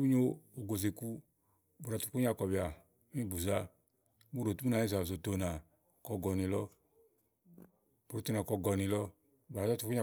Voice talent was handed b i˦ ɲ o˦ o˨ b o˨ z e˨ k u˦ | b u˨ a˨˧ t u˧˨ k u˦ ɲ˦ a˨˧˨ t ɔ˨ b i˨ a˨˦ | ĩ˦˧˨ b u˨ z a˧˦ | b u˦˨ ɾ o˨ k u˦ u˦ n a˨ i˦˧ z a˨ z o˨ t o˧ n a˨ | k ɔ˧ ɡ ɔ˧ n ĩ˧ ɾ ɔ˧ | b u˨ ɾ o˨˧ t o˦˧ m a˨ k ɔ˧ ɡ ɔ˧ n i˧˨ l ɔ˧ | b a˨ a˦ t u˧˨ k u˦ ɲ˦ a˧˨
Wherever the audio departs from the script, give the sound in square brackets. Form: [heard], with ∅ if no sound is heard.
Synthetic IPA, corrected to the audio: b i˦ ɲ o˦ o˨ [ɡ] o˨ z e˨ k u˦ | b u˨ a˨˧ t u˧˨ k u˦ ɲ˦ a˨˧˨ [k] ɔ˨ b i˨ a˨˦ | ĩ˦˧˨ b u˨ z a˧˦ | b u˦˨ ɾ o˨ [t] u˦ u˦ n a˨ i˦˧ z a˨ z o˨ t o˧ n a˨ | k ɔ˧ ɡ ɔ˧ n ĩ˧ [l] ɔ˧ | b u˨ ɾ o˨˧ t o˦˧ [n] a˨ k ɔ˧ ɡ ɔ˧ n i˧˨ l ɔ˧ | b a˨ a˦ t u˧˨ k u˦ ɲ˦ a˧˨